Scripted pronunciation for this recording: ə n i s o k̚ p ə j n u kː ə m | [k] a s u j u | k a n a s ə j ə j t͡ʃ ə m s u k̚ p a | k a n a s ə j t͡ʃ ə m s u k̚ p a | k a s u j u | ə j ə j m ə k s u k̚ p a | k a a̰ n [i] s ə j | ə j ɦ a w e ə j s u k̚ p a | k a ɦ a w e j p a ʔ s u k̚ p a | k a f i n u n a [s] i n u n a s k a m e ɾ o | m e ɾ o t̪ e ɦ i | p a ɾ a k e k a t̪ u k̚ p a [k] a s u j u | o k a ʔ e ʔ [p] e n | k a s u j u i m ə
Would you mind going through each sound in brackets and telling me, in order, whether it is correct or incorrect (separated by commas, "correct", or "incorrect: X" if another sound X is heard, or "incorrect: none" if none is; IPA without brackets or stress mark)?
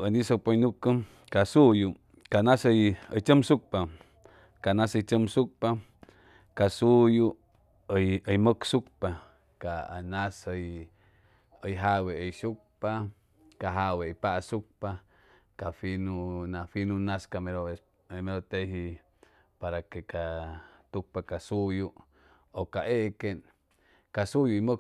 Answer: correct, incorrect: a, incorrect: f, correct, incorrect: k